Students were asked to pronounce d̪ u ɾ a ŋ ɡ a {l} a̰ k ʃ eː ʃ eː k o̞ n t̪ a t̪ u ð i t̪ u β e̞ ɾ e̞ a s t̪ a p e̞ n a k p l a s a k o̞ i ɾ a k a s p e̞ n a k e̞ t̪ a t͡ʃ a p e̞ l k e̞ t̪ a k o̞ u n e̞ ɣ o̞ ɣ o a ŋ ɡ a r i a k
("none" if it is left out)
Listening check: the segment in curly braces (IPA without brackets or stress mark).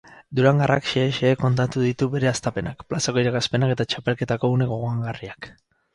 r